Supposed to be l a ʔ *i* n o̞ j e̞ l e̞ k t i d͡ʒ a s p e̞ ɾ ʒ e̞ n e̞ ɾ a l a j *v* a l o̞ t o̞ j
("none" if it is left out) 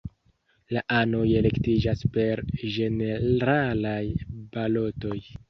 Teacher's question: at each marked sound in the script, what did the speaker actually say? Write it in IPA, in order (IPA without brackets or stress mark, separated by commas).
a, b